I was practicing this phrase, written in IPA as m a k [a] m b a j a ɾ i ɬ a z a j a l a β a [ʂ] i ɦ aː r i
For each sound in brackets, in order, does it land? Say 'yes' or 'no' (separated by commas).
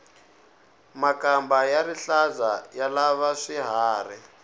yes, yes